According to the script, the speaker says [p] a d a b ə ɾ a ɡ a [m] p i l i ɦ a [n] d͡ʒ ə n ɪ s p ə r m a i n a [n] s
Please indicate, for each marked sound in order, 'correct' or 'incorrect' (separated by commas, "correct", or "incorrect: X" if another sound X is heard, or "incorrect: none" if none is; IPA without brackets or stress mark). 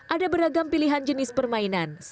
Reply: incorrect: ʔ, correct, correct, correct